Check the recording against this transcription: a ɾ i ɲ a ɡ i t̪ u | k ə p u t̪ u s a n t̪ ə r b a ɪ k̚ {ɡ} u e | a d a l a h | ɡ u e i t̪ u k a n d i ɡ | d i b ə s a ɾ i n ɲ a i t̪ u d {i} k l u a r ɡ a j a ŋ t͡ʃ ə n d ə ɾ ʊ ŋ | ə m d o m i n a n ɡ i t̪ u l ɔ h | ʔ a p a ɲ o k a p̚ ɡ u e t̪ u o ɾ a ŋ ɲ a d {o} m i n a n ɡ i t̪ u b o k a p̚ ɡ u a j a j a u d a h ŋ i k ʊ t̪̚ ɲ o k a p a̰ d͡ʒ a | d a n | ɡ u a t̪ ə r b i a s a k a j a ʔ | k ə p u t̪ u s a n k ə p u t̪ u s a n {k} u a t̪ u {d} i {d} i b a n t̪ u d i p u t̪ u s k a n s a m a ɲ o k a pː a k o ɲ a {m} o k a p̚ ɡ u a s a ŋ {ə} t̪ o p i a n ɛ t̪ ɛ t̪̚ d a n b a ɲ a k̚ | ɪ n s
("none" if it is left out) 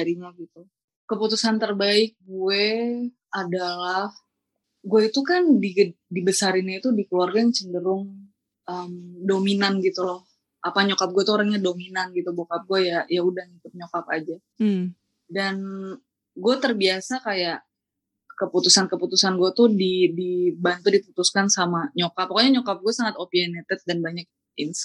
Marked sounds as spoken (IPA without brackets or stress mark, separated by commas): ɡ, i, o, ɡ, d, d, ɲ, a